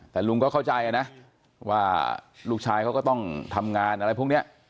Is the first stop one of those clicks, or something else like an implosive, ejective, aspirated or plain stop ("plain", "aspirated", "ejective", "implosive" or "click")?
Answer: plain